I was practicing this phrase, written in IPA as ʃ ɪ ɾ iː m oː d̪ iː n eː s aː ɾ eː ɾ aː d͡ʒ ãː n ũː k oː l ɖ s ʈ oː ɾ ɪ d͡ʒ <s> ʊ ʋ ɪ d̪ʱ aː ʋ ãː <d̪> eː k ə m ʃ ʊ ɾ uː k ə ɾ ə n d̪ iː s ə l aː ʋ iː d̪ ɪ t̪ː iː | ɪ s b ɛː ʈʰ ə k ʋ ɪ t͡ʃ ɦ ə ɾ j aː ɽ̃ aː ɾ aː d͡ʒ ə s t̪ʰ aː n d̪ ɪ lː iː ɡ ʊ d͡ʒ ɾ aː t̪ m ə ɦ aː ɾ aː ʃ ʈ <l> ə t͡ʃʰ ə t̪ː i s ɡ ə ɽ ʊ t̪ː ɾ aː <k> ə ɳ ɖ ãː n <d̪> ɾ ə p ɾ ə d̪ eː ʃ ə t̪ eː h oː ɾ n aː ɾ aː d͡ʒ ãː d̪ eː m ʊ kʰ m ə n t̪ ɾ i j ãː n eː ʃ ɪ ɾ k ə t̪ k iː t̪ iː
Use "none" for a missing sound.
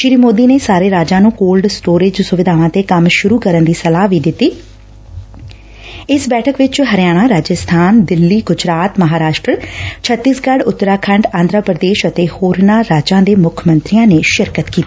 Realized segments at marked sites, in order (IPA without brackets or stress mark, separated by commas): s, t̪, ɾ, kʰ, d̪